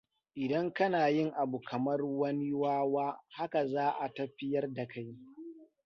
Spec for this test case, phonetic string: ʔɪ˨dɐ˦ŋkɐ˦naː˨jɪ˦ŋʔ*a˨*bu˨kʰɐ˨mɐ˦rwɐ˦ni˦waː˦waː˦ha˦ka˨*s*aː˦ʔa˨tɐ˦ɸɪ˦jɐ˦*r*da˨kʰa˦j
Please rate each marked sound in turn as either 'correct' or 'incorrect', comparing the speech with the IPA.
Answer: correct, incorrect: z, correct

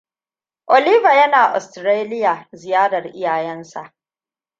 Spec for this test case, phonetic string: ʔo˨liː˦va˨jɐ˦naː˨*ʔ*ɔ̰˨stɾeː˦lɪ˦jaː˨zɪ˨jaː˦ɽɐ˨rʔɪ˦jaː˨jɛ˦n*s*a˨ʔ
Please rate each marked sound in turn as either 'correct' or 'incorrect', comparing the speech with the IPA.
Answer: correct, correct

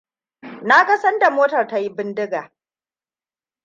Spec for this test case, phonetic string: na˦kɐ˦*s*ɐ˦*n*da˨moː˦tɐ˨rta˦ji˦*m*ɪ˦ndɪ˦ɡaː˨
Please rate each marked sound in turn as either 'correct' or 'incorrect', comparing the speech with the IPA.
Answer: correct, correct, incorrect: b

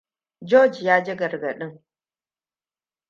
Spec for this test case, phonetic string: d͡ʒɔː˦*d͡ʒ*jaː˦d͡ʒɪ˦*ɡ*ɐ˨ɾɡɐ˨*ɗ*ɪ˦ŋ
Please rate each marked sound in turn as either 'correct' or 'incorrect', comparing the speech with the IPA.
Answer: correct, correct, correct

